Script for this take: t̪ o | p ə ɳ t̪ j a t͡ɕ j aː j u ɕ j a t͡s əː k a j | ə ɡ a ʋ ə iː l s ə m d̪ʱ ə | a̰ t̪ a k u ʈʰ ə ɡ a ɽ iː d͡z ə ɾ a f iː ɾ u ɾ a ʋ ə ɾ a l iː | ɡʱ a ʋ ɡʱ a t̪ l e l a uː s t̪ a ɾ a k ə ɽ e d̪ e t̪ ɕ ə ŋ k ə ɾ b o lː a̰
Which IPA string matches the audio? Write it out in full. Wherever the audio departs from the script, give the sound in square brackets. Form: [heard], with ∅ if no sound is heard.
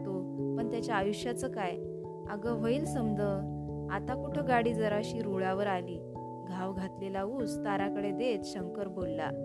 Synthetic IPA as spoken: t̪ o | p ə ɳ t̪ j a t͡ɕ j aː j u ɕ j a t͡s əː k a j | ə ɡ [ə] ʋ ə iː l s ə m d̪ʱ ə | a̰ t̪ a k u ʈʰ ə ɡ a ɽ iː d͡z ə ɾ a [ɕ] iː ɾ u [ɭ] a ʋ ə ɾ a l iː | ɡʱ a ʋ ɡʱ a t̪ l e l a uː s t̪ a ɾ a k ə ɽ e d̪ e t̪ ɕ ə ŋ k ə ɾ b o lː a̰